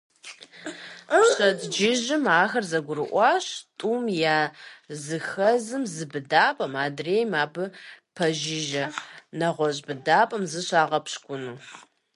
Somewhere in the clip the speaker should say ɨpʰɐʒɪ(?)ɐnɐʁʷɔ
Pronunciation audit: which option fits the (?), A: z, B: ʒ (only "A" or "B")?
B